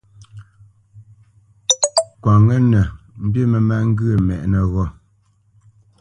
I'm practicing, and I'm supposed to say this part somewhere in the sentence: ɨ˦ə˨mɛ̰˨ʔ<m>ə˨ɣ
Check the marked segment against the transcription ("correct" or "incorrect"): incorrect